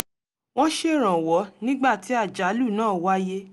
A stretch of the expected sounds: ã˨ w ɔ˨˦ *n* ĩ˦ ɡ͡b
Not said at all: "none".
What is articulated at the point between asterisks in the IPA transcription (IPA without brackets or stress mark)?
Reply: n